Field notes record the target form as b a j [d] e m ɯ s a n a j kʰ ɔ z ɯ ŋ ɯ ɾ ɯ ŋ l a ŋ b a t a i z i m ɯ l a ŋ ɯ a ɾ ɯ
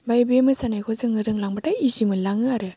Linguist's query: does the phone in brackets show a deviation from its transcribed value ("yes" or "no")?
yes